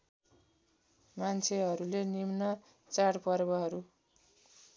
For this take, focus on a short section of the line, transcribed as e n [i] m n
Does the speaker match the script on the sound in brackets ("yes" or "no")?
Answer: yes